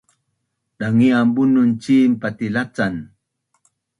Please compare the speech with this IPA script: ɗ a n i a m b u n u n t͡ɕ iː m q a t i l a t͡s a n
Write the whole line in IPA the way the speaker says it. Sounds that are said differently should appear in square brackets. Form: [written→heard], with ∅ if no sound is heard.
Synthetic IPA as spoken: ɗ a [n→ŋ] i a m b u n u n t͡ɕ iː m [q→p] a t i l a t͡s a n